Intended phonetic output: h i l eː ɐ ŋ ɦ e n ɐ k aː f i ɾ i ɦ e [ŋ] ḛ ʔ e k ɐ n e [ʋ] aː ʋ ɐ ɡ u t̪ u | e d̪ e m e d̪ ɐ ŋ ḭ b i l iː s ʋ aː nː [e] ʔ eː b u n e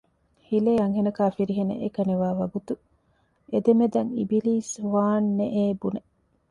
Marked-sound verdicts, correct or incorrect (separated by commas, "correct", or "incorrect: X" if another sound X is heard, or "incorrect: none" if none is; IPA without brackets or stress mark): incorrect: n, correct, correct